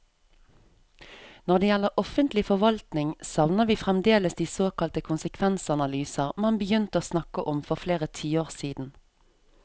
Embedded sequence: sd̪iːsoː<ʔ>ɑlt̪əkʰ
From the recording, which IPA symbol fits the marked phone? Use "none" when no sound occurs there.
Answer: k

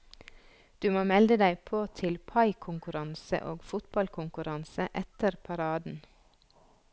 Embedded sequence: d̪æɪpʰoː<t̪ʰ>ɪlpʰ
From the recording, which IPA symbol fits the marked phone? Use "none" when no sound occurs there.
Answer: t̪ʰ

